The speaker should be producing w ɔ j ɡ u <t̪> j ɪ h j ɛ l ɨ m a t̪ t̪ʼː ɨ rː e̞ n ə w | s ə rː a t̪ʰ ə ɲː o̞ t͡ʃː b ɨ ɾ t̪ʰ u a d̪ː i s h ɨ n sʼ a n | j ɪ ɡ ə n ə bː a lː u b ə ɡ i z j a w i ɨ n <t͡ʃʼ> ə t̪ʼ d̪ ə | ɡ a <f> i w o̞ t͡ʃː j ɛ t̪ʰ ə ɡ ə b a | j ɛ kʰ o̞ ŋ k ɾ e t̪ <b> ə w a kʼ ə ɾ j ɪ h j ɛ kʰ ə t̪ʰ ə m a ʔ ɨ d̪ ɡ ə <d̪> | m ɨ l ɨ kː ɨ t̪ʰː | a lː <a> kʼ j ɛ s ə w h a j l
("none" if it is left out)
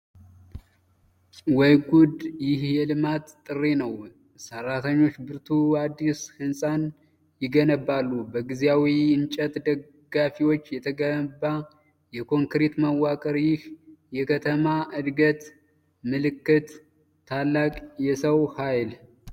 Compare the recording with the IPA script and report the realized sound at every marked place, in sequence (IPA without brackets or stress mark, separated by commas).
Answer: d̪, t͡ʃʼ, f, m, t̪, a